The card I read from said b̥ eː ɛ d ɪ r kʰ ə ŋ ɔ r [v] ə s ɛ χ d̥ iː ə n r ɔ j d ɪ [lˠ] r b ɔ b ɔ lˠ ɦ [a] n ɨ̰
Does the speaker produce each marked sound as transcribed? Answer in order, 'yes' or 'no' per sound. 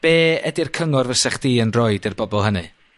yes, no, no

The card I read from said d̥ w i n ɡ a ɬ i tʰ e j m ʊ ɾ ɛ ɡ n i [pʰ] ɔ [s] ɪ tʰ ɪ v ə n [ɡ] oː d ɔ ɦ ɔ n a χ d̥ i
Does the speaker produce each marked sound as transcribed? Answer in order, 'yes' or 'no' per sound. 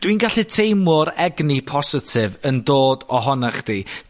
yes, yes, no

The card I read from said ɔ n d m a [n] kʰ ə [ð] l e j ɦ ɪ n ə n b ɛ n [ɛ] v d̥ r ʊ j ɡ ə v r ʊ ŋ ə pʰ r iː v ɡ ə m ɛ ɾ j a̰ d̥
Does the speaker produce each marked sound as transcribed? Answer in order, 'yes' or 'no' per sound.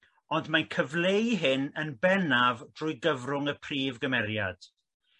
yes, no, no

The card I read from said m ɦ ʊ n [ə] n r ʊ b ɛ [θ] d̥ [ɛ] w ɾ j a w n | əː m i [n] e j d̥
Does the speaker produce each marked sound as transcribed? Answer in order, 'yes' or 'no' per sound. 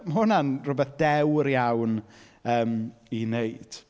no, yes, yes, yes

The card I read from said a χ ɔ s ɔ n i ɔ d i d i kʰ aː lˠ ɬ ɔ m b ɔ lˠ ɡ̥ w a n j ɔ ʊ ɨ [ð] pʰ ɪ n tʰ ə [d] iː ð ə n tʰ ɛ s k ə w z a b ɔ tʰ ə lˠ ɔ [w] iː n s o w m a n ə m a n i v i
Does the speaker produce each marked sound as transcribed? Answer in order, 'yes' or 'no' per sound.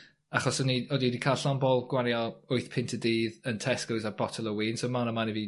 no, yes, yes

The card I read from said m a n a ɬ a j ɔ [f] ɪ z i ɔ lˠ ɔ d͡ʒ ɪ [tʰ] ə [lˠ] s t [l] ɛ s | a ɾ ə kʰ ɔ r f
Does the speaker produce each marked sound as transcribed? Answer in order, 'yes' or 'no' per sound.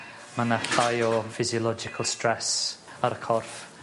yes, no, yes, no

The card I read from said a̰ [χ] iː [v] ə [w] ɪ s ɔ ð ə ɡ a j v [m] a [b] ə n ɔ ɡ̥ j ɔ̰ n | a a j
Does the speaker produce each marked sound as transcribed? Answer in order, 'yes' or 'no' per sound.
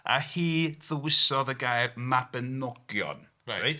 no, no, yes, yes, yes

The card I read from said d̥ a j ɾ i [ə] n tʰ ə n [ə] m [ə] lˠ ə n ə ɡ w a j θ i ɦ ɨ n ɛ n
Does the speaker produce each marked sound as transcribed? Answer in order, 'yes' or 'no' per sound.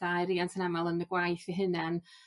no, no, no

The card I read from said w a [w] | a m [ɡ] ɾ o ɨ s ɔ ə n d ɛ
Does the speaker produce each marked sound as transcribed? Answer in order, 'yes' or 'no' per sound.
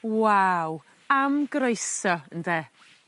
yes, yes

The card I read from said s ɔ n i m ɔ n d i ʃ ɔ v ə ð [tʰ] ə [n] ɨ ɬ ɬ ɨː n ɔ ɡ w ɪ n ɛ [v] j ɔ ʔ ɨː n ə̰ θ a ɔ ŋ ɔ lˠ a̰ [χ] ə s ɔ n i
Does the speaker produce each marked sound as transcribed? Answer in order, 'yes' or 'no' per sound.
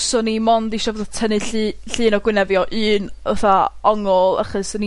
yes, yes, yes, yes

